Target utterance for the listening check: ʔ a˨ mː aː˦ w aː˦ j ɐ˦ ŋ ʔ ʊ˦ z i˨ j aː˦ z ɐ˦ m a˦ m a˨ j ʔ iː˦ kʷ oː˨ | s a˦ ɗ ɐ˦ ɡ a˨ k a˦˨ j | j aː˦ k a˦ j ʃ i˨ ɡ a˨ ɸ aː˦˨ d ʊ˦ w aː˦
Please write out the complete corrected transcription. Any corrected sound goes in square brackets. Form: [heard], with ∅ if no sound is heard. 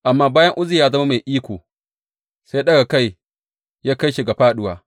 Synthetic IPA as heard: ʔ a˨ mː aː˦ [b] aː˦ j ɐ˦ ŋ ʔ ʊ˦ z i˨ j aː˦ z ɐ˦ m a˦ m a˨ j ʔ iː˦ kʷ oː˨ | s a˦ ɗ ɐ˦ ɡ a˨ k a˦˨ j | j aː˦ k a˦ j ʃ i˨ ɡ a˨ ɸ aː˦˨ [ɗ] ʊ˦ w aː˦